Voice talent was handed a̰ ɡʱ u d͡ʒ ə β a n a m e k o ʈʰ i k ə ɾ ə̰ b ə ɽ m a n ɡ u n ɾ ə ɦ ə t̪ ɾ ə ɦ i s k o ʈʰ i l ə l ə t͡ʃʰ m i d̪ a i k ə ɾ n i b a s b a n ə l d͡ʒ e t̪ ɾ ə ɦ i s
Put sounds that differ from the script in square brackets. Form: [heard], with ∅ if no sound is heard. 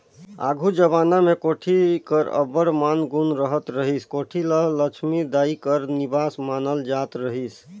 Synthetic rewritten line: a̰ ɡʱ u d͡ʒ ə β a n a m e k o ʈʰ i k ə ɾ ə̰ b ə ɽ m a n ɡ u n ɾ ə ɦ ə t̪ ɾ ə ɦ i s k o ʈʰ i l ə l ə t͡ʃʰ m i d̪ a i k ə ɾ n i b a s [m] a n ə l d͡ʒ [a] t̪ ɾ ə ɦ i s